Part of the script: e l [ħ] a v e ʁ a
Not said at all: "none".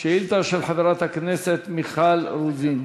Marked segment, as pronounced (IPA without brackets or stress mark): ħ